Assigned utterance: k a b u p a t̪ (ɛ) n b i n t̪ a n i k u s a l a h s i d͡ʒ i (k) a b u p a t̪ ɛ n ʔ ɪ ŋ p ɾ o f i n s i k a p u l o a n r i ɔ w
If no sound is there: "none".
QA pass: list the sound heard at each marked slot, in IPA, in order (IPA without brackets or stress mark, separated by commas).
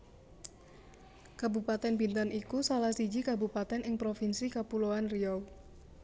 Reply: ɛ, k